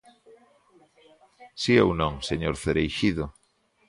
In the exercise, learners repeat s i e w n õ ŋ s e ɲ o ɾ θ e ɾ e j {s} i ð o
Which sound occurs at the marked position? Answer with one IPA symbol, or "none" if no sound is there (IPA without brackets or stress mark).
ʃ